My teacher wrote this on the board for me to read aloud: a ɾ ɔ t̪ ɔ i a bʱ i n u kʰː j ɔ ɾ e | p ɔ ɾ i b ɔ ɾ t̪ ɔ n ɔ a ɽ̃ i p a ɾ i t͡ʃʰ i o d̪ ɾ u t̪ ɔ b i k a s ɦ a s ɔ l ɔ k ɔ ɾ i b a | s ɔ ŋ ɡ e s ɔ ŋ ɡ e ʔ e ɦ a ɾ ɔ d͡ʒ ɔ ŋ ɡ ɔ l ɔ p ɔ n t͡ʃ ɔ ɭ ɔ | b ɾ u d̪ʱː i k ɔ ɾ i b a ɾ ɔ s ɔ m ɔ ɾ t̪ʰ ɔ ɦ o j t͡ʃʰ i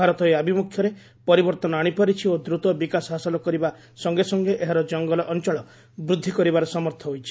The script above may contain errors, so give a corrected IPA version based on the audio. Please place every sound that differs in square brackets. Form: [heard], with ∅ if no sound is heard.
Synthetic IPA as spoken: a ɾ ɔ t̪ ɔ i a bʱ i [m] u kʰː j ɔ ɾ e | p ɔ ɾ i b ɔ ɾ t̪ ɔ n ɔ a ɽ̃ i p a ɾ i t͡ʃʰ i o d̪ ɾ u t̪ ɔ b i k a s ɦ a s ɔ l ɔ k ɔ ɾ i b a | s ɔ ŋ ɡ e s ɔ ŋ ɡ e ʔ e ɦ a ɾ ɔ d͡ʒ ɔ ŋ ɡ ɔ l ɔ [ʔ] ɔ n t͡ʃ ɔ ɭ ɔ | b ɾ u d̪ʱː i k ɔ ɾ i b a ɾ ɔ s ɔ m ɔ ɾ t̪ʰ ɔ ɦ o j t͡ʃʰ i